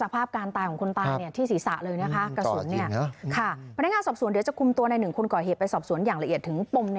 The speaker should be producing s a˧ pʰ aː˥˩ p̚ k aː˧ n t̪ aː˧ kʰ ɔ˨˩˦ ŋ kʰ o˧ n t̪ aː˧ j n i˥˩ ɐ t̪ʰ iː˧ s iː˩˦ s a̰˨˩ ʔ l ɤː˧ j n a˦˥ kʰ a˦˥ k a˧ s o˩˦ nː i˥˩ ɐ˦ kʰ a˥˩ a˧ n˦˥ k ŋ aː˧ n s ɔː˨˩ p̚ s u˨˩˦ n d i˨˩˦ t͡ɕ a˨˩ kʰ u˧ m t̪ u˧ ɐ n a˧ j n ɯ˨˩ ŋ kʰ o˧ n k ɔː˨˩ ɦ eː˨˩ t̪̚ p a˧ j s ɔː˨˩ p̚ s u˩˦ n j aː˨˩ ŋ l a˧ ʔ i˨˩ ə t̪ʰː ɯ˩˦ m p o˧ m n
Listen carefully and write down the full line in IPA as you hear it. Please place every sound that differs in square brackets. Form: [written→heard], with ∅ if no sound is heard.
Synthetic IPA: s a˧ pʰ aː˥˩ p̚ k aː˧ n t̪ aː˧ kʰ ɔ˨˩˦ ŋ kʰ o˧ n t̪ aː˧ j n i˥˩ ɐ t̪ʰ [iː˧→iː˥˩] s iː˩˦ s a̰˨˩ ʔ l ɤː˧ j n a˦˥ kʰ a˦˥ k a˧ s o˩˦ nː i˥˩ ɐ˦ kʰ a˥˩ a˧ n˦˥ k ŋ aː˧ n s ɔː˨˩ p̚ s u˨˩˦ n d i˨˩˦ t͡ɕ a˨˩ kʰ u˧ m t̪ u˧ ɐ n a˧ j n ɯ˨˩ ŋ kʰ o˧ n k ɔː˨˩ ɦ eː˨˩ t̪̚ p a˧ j s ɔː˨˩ p̚ s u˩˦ n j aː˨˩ ŋ l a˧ ʔ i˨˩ ə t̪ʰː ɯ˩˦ [m→ŋ] p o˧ m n

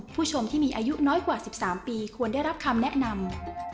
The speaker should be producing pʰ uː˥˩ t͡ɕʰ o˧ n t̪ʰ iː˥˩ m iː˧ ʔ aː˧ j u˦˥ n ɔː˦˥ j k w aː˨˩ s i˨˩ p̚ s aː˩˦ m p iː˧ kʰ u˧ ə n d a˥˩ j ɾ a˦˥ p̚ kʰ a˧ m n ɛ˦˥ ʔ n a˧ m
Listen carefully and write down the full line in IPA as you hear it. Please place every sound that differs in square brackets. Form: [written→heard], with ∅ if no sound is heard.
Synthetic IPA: pʰ uː˥˩ t͡ɕʰ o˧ [n→m] t̪ʰ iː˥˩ m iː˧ ʔ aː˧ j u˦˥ n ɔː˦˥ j k w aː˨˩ s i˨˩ p̚ s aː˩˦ m p iː˧ kʰ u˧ ə n d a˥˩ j ɾ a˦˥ p̚ kʰ a˧ m n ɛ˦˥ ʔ n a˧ m

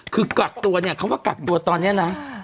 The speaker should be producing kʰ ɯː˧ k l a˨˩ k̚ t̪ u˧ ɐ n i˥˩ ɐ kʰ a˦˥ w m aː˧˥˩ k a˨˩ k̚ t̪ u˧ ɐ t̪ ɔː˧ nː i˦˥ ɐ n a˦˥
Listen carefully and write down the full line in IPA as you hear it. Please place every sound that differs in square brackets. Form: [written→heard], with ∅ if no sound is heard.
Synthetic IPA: kʰ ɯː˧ k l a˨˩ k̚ t̪ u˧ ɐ n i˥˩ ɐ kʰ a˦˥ w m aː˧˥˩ k a˨˩ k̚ t̪ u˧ ɐ t̪ ɔː˧ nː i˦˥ ɐ n a˦˥

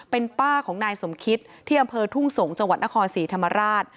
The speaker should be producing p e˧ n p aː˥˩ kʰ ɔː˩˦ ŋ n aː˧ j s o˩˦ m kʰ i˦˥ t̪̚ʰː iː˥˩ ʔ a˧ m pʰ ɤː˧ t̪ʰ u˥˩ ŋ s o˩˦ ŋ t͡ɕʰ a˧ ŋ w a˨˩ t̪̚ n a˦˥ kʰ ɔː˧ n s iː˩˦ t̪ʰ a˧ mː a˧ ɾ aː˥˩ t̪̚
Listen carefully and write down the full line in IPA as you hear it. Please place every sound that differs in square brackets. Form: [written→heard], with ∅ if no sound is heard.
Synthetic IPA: p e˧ n p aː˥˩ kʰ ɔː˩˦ ŋ n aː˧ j s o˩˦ m kʰ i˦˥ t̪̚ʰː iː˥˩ ʔ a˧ m pʰ ɤː˧ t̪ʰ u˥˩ ŋ s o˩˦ ŋ [t͡ɕʰ→t͡ɕ] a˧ ŋ w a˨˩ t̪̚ n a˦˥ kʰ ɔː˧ n s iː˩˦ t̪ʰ a˧ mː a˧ ɾ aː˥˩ t̪̚

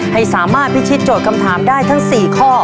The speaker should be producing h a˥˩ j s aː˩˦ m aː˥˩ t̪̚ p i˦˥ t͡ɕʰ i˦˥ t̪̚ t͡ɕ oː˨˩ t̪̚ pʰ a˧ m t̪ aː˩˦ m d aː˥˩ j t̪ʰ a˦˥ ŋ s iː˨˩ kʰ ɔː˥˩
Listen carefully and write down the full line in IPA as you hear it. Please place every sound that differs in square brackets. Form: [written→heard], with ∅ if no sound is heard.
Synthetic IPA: h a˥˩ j s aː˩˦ m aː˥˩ t̪̚ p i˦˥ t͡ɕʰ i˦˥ t̪̚ t͡ɕ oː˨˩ t̪̚ [pʰ→kʰ] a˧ m [t̪→t̪ʰ] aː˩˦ m d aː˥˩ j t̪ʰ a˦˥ ŋ s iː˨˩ kʰ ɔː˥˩

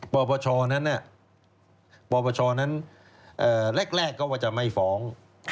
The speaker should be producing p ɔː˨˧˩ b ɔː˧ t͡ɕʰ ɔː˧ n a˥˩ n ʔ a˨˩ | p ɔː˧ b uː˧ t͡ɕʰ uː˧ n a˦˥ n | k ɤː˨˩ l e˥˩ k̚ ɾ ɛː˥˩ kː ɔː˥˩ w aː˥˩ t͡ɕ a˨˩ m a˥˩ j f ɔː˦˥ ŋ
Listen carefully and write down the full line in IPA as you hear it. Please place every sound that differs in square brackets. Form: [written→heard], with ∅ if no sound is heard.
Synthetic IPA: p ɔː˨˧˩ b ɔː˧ t͡ɕʰ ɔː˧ n [a˥˩→a˦˥] n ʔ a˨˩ | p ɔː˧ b [uː˧→ɔː˧] t͡ɕʰ [uː˧→ɔː˧] n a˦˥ n | [k→ʔ] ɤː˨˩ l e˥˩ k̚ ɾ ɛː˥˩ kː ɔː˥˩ w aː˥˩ t͡ɕ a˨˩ m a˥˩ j f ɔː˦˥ ŋ

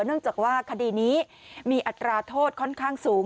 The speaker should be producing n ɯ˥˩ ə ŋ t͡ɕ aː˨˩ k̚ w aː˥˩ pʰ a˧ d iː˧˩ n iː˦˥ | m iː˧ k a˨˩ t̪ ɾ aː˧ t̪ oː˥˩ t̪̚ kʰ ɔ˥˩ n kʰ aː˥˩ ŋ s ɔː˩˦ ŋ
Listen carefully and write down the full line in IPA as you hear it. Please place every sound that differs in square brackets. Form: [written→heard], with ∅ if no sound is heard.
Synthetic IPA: n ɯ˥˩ ə ŋ t͡ɕ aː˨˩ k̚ w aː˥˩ [pʰ→kʰ] a˧ d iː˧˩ n iː˦˥ | m iː˧ [k→ʔ] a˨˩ t̪ ɾ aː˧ [t̪→t̪ʰ] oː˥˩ t̪̚ kʰ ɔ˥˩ n kʰ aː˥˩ ŋ s [ɔː˩˦→uː˩˦] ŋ

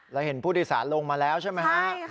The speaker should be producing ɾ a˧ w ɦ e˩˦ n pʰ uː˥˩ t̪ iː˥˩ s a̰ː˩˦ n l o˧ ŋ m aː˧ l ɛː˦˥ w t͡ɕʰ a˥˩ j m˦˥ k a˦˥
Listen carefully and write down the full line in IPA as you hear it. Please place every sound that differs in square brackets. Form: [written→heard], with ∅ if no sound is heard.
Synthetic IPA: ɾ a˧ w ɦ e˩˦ n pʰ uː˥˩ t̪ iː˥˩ s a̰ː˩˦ n l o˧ ŋ m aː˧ l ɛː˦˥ w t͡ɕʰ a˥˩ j m˦˥ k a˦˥

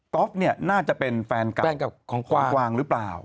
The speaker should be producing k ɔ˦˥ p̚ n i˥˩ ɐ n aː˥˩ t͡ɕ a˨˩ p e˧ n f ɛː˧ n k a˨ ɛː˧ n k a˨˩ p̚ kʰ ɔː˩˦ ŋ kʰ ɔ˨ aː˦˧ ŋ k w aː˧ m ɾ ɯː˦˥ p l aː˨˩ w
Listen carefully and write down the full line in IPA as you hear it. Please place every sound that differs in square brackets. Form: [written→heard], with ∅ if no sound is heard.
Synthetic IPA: k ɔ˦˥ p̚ n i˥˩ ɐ n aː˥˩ t͡ɕ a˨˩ p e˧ n f ɛː˧ n k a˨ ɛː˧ n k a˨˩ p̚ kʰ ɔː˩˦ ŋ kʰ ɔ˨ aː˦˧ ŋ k w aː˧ [m→ŋ] ɾ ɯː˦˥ p l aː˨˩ w

